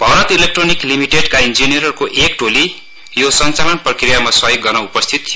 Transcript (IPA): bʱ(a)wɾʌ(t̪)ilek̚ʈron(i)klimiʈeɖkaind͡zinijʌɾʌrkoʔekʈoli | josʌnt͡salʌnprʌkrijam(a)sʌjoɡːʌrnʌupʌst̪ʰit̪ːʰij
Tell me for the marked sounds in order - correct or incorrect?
incorrect: ʌ, correct, correct, correct

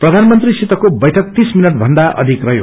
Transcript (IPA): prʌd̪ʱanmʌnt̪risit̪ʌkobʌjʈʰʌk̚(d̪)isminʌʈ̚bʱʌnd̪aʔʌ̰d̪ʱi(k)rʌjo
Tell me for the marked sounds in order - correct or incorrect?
incorrect: t̪, correct

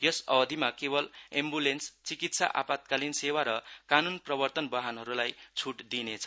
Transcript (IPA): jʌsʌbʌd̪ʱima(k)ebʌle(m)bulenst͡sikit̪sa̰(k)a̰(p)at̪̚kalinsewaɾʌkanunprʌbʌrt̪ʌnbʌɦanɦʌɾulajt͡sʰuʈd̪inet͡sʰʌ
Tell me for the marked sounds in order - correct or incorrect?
correct, correct, incorrect: ʔ, correct

